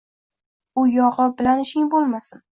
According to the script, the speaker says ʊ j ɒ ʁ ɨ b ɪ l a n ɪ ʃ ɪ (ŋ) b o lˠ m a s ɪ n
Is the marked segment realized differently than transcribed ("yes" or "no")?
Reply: no